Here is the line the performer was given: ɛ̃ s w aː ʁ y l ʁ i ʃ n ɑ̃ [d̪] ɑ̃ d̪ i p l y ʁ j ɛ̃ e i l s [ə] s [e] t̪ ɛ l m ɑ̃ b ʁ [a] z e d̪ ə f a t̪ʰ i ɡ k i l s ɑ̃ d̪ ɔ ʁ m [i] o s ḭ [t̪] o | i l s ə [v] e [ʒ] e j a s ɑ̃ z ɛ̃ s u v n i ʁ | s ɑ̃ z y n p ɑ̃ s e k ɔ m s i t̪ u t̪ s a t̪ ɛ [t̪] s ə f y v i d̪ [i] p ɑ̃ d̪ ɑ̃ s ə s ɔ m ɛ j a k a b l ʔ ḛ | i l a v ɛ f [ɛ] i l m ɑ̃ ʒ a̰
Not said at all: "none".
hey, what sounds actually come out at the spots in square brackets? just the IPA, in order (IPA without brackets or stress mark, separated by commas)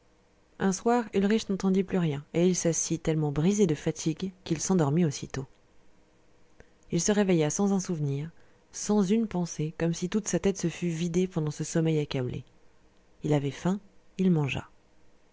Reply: t̪, a, i, i, i, t̪, ʁ, v, t̪, e, ɛ̃